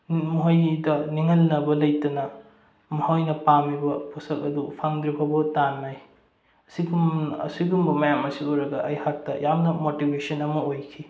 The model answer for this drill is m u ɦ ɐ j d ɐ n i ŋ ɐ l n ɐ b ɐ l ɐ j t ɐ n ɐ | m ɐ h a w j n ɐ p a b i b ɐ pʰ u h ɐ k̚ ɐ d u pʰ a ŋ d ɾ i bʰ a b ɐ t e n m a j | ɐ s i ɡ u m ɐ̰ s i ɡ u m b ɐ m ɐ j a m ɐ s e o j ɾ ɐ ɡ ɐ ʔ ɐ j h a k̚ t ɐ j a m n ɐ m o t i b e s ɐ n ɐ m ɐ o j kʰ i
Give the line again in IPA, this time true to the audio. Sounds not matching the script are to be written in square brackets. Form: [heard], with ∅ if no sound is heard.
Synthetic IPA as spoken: m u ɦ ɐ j d ɐ n i ŋ ɐ l n ɐ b ɐ l ɐ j t ɐ n ɐ | m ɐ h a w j n ɐ p a [m] i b ɐ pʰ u [s] ɐ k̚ ɐ d u pʰ a ŋ d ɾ i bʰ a b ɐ t [a] n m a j | ɐ s i ɡ u m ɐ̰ s i ɡ u m b ɐ m ɐ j a m ɐ s [i] o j ɾ ɐ ɡ ɐ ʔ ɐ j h a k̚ t ɐ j a m n ɐ m o t i b e s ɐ n ɐ m ɐ o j kʰ i